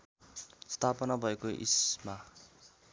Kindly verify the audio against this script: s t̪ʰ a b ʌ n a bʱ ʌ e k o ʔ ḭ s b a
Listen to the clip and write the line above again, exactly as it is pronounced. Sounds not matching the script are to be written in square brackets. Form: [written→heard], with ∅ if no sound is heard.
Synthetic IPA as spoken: s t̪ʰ a [b→p] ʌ n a bʱ ʌ e k o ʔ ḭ s [b→m] a